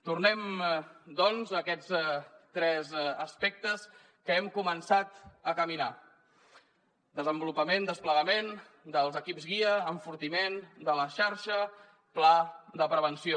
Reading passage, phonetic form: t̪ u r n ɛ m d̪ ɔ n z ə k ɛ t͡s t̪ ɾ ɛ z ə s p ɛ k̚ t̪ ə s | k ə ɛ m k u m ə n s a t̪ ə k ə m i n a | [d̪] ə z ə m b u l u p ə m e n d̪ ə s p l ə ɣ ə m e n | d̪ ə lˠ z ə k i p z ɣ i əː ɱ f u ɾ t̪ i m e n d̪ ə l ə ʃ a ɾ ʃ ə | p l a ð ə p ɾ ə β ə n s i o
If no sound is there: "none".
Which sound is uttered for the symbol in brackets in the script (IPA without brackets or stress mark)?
d̪